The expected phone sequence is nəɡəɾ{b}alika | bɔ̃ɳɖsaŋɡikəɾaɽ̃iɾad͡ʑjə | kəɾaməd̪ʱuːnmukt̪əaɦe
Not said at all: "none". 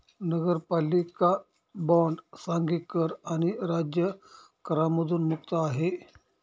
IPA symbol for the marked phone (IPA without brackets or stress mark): p